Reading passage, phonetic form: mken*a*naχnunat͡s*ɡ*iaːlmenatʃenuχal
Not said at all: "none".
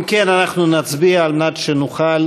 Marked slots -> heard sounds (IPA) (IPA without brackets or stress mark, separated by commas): a, b